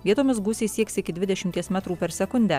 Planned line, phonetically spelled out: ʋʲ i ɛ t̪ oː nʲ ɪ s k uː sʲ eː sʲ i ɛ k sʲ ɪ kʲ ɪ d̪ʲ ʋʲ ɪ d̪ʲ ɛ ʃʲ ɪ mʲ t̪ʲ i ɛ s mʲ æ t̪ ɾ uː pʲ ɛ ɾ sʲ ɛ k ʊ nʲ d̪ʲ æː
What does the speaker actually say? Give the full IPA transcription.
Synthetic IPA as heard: ʋʲ i ɛ t̪ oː mʲ ɪ s ɡ uː sʲ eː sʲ i ɛ k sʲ ɪ kʲ ɪ d̪ʲ ʋʲ ɪ d̪ʲ ɛ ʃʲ ɪ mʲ t̪ʲ i ɛ s mʲ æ t̪ ɾ uː pʲ ɛ ɾ sʲ ɛ k ʊ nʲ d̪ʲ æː